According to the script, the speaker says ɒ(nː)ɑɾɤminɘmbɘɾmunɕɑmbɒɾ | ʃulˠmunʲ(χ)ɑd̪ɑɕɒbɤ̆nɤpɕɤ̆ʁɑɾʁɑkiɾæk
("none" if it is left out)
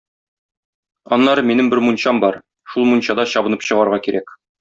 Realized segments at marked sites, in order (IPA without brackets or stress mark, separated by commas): nː, ɕ